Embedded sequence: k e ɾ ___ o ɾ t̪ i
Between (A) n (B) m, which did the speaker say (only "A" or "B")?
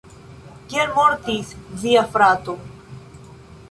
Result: B